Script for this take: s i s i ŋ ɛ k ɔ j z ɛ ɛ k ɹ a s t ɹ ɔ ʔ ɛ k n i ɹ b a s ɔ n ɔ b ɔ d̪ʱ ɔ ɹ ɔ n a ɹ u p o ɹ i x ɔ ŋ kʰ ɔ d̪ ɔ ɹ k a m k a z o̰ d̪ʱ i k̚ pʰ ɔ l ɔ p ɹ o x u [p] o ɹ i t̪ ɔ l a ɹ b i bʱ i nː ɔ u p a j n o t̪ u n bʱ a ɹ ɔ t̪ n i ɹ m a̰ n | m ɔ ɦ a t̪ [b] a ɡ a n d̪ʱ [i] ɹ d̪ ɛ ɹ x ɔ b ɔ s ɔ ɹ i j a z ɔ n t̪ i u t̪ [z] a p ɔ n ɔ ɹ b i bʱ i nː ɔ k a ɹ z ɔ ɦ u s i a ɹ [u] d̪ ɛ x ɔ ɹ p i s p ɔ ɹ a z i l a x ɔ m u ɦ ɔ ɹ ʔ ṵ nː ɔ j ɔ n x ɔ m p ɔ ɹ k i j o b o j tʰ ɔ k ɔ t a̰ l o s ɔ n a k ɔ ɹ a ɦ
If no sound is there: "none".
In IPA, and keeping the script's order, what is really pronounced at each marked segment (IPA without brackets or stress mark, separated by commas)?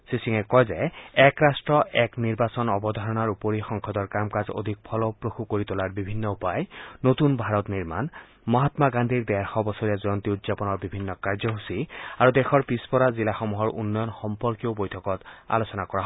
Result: k, m, i, z, u